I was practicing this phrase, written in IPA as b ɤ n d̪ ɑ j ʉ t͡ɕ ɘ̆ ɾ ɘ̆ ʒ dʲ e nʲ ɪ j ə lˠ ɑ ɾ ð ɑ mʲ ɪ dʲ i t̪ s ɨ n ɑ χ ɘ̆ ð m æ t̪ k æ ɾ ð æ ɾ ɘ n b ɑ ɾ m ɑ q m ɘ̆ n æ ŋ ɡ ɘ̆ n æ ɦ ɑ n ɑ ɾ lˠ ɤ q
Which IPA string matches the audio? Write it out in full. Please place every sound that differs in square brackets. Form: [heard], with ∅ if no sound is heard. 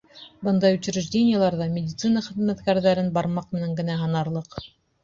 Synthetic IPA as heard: b ɤ n d̪ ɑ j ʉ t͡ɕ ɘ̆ ɾ ɘ̆ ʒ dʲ e nʲ ɪ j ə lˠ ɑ ɾ ð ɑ mʲ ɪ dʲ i t̪ s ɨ n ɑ χ ɘ̆ ð m æ t̪ k æ ɾ ð æ ɾ ɘ n b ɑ ɾ m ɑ q m ɘ̆ n æ ŋ ɡ ɘ̆ n æ ɦ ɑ n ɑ ɾ lˠ ɤ q